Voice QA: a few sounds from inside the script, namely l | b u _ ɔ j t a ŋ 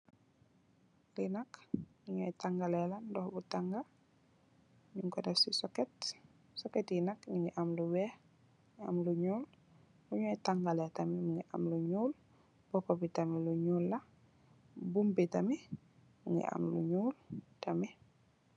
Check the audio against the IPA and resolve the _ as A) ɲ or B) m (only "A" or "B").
A